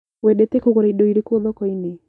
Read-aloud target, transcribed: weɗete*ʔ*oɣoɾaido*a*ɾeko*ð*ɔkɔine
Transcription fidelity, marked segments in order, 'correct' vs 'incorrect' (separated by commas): incorrect, incorrect, correct